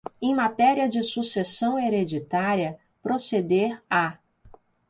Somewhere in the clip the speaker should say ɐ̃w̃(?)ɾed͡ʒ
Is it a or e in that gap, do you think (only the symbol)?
e